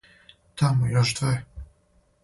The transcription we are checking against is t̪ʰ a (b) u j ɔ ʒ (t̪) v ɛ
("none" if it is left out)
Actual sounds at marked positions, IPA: m, d̪

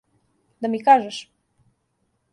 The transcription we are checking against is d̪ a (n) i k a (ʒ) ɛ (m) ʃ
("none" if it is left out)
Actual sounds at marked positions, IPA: m, ʒ, none

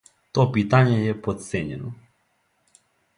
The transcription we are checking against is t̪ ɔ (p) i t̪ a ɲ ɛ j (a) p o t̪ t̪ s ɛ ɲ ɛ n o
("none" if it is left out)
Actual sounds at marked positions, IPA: p, ɛ

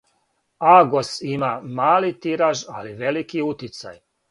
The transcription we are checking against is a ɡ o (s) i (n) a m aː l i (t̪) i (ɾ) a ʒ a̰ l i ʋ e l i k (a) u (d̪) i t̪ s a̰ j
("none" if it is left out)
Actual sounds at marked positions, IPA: s, m, t̪, ɾ, i, t̪

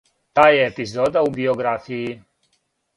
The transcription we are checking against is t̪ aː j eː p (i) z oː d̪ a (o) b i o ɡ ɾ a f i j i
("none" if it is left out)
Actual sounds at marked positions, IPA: i, u

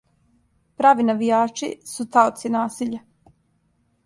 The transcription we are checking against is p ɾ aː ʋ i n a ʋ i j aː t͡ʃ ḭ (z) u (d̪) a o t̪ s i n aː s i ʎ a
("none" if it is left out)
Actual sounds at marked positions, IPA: s, t̪

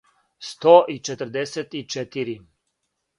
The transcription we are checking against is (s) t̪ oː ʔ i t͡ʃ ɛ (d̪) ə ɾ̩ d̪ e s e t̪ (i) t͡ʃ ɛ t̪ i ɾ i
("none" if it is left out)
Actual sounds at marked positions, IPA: s, t̪, i

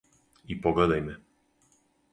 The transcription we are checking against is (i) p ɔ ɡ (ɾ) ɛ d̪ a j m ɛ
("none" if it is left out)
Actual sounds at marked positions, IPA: i, l

